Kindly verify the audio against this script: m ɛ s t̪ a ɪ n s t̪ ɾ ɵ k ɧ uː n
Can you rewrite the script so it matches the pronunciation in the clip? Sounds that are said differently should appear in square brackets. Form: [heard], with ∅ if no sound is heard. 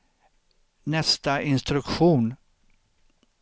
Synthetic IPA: [n] ɛ s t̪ a ɪ n s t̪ ɾ ɵ k ɧ uː n